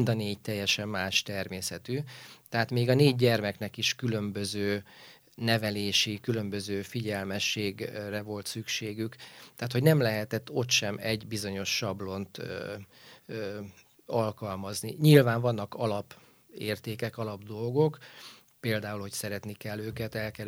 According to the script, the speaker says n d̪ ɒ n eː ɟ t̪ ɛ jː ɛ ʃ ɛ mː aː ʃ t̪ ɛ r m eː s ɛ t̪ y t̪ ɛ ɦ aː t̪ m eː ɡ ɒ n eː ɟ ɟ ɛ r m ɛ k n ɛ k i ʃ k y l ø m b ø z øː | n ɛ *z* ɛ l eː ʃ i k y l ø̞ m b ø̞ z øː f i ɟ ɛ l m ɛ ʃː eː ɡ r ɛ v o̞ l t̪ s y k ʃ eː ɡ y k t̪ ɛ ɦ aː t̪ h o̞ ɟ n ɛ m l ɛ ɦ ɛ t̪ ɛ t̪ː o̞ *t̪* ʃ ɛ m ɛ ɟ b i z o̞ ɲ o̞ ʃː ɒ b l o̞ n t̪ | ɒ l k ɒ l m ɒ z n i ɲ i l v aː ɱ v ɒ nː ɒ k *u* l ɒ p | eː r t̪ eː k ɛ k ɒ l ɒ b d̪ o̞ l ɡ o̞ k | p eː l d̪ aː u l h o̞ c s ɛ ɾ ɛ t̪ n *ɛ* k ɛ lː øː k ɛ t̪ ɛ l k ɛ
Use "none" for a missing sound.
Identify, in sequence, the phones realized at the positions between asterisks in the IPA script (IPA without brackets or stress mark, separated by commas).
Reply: v, t̪, ɒ, i